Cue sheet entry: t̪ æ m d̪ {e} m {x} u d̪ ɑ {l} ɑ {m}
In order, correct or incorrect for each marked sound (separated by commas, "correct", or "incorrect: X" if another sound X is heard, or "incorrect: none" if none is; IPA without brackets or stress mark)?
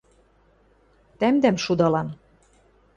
incorrect: æ, incorrect: ʃ, correct, incorrect: n